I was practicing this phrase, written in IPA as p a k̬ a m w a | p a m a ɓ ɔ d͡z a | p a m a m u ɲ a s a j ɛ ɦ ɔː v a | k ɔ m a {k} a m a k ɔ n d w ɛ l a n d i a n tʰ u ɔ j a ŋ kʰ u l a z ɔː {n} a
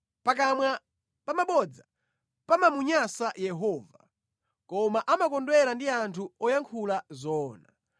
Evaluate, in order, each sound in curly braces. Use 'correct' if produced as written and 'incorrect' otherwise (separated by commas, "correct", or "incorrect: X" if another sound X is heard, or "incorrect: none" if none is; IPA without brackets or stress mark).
incorrect: ʔ, correct